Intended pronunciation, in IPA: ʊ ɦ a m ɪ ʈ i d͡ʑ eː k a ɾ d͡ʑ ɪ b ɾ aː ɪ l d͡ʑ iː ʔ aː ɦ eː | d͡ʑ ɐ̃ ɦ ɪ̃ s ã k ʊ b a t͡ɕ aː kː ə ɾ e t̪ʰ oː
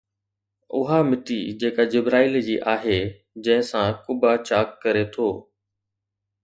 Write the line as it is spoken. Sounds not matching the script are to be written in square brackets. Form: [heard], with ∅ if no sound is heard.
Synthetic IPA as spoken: ʊ ɦ a m ɪ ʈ i d͡ʑ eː k a [∅] d͡ʑ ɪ b ɾ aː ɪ l d͡ʑ iː ʔ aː ɦ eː | d͡ʑ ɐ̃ ɦ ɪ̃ s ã k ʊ b a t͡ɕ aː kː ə ɾ e t̪ʰ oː